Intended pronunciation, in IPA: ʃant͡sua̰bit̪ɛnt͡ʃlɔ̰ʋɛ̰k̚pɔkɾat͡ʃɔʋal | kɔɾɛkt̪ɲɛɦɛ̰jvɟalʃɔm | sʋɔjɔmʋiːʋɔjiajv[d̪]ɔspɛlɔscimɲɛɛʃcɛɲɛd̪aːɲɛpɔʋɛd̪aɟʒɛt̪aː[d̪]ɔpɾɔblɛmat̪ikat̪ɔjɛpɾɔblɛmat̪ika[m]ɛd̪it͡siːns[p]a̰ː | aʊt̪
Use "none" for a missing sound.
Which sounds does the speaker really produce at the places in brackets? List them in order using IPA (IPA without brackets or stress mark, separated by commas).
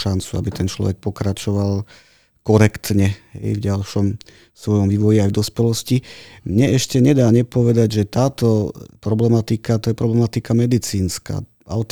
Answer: d̪, t̪, m, k